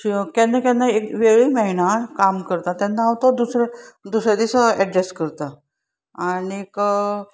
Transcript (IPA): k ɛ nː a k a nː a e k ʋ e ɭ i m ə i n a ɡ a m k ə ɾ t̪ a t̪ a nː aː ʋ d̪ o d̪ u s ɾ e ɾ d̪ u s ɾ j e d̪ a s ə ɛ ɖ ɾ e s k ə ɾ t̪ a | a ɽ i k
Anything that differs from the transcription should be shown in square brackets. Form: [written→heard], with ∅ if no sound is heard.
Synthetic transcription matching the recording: k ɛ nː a k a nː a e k ʋ e ɭ i m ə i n a [ɡ→k] a m k ə ɾ t̪ a t̪ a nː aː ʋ [d̪→t̪] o d̪ u s ɾ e [ɾ→∅] d̪ u s ɾ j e d̪ [a→i] s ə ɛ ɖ ɾ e s k ə ɾ t̪ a | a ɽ i k